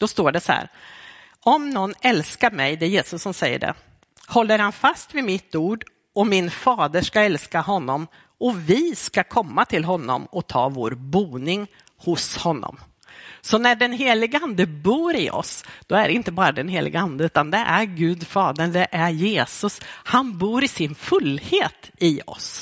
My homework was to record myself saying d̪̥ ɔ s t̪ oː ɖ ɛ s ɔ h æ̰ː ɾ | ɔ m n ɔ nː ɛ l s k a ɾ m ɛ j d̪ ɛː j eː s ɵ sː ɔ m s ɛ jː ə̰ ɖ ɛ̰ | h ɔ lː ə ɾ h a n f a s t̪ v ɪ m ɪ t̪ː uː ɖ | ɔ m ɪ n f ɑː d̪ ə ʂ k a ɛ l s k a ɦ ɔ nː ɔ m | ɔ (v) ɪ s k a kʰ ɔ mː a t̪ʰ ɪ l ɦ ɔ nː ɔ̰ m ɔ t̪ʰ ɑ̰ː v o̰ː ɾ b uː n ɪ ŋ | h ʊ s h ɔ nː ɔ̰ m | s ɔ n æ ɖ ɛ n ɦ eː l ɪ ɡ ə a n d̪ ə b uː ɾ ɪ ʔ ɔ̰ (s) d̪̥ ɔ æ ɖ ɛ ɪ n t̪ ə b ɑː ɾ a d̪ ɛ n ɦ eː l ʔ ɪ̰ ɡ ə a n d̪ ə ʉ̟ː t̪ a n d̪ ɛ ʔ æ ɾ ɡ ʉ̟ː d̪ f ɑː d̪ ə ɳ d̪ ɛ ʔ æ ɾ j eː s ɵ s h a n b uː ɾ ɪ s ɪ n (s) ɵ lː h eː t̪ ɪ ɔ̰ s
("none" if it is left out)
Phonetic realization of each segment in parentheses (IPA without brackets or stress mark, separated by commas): v, s, f